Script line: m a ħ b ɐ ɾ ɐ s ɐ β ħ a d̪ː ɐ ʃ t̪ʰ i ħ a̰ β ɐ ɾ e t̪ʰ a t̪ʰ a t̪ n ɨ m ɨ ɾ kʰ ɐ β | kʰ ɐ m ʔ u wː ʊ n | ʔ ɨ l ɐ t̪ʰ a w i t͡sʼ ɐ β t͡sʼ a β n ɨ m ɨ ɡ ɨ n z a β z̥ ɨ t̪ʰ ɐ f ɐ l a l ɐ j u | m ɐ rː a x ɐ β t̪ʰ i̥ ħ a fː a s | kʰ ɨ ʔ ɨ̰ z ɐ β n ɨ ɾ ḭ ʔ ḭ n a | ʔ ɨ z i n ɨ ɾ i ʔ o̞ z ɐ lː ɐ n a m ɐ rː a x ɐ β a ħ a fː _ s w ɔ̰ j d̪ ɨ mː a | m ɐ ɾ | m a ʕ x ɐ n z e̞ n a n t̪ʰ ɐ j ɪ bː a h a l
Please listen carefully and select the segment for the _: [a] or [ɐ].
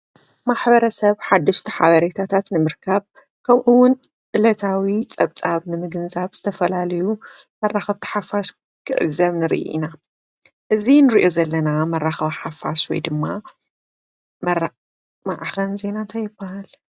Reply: a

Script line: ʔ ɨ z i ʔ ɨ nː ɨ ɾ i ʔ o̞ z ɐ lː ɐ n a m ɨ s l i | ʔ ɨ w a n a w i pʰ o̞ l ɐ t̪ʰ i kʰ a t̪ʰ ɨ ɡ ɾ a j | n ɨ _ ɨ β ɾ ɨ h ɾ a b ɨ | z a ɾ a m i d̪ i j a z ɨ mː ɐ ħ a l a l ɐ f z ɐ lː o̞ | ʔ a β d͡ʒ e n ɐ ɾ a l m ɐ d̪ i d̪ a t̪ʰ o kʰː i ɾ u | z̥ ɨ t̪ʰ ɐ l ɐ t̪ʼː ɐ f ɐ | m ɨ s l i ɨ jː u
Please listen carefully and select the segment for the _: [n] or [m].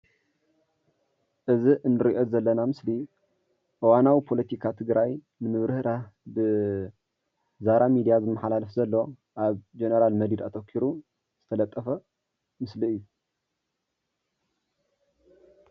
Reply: m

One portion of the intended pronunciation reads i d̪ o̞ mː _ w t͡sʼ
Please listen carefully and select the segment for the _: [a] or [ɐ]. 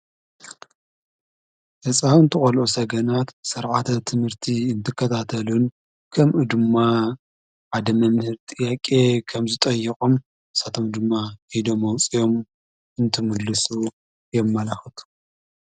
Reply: ɐ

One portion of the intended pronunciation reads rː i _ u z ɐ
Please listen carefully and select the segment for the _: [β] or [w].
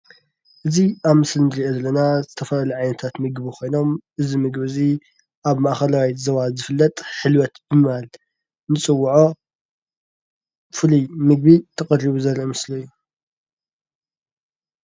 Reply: β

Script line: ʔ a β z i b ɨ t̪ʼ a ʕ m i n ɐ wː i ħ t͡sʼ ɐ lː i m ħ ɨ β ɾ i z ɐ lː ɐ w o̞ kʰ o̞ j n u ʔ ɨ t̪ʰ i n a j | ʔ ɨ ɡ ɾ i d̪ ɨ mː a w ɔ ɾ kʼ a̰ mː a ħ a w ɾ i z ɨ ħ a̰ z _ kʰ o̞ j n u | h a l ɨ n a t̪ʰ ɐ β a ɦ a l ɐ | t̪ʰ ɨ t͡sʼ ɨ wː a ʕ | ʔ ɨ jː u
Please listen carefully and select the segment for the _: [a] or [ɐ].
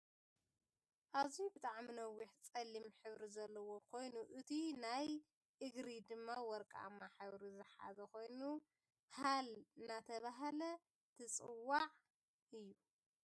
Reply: ɐ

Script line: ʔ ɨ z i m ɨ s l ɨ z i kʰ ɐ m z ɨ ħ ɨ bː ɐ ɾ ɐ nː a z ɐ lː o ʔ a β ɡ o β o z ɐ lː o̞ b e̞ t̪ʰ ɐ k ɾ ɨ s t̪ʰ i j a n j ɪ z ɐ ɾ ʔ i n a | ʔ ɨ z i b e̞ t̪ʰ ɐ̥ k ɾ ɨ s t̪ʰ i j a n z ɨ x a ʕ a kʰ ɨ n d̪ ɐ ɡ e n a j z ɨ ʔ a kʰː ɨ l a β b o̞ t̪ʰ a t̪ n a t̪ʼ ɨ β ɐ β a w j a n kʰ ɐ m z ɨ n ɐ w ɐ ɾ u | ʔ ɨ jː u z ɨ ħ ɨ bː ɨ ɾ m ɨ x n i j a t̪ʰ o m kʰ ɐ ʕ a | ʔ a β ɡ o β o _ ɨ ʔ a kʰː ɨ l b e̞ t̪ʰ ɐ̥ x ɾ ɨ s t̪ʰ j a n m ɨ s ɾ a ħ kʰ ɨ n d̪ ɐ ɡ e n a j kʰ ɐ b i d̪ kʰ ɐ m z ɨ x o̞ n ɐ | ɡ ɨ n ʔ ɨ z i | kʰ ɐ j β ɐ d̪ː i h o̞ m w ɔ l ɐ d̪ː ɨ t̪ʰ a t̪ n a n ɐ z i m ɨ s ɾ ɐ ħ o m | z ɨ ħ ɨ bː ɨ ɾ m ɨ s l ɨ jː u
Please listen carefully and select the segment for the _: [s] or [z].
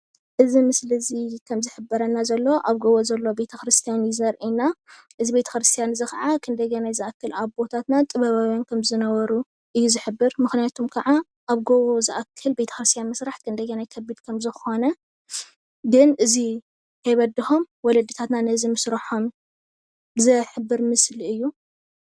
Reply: z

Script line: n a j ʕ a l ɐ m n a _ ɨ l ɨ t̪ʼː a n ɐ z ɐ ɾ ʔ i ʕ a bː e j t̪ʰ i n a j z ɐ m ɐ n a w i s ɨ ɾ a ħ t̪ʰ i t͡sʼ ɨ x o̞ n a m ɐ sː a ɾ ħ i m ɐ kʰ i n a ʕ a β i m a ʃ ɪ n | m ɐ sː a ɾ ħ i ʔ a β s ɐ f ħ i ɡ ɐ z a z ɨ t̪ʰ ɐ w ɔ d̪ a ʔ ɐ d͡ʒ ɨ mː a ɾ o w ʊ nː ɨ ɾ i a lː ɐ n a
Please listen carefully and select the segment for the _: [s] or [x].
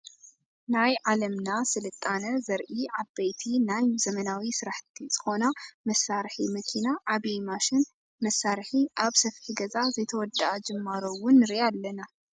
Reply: s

